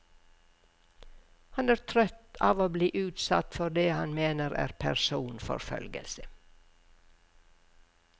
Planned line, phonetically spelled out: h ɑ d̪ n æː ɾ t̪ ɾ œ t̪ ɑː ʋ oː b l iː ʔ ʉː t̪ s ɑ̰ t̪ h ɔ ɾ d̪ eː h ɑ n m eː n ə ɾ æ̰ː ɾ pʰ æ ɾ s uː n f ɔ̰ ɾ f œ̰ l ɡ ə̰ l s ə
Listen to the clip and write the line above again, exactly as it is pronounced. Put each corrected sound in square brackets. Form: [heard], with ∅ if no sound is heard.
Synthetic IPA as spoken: h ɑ [∅] n æː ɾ [t̪ʰ] ɾ œ t̪ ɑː ʋ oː b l iː ʔ ʉː t̪ s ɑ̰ t̪ [f] ɔ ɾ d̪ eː h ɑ n m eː n ə ɾ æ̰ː ɾ pʰ æ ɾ s uː n f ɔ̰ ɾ f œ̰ l ɡ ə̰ l s ə

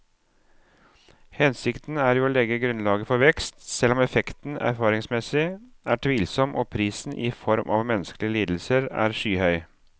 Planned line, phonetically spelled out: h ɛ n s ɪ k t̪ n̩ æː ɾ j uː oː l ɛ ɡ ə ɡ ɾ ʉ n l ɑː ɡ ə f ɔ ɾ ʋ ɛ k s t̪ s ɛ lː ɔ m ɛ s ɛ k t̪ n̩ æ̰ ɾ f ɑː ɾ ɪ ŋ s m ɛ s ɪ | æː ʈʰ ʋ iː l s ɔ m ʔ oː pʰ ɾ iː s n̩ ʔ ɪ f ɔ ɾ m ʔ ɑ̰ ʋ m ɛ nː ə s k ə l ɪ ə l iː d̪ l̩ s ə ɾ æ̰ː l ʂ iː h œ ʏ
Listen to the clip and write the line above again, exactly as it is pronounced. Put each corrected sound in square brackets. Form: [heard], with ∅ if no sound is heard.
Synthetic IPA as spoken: h ɛ n s ɪ k t̪ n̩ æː ɾ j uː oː l ɛ ɡ ə ɡ ɾ ʉ n l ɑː ɡ ə f ɔ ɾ ʋ ɛ k s t̪ s ɛ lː ɔ m ɛ [f] ɛ k t̪ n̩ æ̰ ɾ f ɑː ɾ ɪ ŋ s m ɛ s ɪ | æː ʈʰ ʋ iː l s ɔ m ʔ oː pʰ ɾ iː s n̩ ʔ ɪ f ɔ ɾ m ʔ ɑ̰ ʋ m ɛ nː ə s k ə l ɪ ə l iː d̪ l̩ s ə ɾ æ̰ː [ɾ] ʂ [yː] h œ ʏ

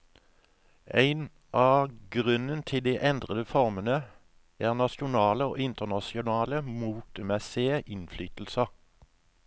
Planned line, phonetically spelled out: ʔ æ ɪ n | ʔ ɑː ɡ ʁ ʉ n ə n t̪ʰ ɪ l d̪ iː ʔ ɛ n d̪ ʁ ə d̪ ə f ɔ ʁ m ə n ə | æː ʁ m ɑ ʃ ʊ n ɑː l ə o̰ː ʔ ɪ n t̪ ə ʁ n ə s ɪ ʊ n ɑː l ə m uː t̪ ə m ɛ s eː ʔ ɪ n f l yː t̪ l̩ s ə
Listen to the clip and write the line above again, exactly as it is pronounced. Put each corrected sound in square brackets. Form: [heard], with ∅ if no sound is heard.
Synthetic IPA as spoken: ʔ æ ɪ n | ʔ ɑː ɡ ʁ ʉ n ə n t̪ʰ ɪ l d̪ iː ʔ ɛ n d̪ ʁ ə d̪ ə f ɔ ʁ m ə n ə | æː ʁ [n] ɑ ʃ ʊ n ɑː l ə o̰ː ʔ ɪ n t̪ ə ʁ n [ɑ] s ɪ ʊ n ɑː l ə m uː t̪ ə m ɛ s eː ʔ ɪ n f l yː t̪ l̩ s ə

